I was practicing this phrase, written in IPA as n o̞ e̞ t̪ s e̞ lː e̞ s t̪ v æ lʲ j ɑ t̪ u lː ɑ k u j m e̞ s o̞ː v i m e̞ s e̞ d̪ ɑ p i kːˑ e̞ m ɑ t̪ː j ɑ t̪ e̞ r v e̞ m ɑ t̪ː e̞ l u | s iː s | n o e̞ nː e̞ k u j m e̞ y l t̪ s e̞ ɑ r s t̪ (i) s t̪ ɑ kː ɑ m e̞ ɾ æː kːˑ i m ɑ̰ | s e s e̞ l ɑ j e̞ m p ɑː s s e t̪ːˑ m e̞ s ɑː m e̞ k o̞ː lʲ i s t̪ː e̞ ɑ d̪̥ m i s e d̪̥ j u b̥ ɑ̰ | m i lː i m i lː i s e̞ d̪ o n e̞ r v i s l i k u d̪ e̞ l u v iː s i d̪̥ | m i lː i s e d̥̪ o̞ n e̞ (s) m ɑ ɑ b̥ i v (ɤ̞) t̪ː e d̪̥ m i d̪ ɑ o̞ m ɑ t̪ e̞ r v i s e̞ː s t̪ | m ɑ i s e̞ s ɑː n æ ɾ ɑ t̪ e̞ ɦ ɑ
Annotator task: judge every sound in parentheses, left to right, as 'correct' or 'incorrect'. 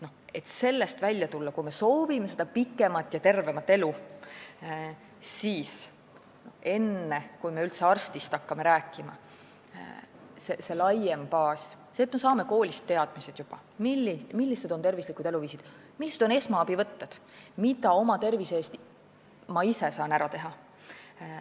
correct, correct, correct

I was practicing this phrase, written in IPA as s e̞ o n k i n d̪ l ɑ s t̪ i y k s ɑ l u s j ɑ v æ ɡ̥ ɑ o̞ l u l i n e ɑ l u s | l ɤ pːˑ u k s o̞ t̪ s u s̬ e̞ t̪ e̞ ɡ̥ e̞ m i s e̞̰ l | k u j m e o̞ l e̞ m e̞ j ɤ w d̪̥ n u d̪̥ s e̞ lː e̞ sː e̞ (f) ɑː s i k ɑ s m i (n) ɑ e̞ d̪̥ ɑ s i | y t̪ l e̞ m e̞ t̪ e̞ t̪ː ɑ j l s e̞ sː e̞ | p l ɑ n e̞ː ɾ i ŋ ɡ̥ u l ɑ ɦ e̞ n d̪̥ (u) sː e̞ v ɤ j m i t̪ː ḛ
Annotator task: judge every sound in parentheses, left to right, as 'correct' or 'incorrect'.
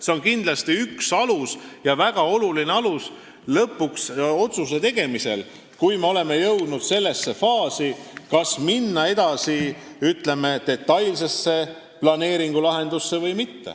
correct, incorrect: nː, correct

